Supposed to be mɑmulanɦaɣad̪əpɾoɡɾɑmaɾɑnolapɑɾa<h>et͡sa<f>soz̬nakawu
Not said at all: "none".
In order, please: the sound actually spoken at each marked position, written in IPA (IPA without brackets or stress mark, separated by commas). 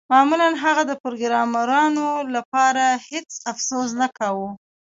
h, f